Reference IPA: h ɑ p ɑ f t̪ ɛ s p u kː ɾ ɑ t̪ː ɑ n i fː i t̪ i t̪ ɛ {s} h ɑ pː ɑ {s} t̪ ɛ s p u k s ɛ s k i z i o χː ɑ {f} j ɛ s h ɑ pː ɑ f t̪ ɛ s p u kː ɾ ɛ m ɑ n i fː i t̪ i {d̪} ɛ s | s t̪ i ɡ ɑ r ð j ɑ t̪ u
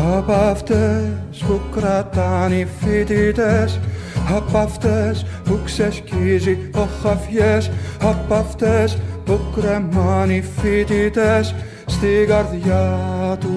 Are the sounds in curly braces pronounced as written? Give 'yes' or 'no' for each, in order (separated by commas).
yes, no, yes, no